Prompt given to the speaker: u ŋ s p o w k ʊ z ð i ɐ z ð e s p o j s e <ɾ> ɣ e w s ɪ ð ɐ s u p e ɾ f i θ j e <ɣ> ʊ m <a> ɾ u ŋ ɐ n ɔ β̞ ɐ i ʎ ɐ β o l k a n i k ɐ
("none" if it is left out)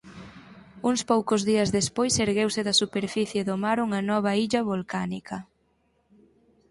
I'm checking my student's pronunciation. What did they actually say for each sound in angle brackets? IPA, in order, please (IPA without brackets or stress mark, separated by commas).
ɾ, ð, a